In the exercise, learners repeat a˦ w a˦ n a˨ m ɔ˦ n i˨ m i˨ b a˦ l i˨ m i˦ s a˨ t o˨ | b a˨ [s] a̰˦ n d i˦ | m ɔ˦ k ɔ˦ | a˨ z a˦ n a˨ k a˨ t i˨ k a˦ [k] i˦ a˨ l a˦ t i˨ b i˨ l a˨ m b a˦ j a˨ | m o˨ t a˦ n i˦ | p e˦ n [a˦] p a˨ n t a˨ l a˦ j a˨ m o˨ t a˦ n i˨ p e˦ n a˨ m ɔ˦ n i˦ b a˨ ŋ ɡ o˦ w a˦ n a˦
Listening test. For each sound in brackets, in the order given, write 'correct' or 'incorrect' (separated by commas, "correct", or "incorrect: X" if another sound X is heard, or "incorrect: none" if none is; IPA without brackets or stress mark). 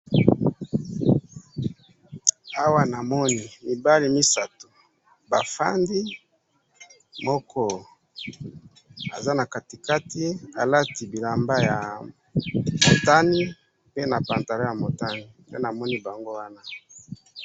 incorrect: f, incorrect: t, incorrect: a˨